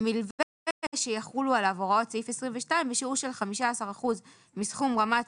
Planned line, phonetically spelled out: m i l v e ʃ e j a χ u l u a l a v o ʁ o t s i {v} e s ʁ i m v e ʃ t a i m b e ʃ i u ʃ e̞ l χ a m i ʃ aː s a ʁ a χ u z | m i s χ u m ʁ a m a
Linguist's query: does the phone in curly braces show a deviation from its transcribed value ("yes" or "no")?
yes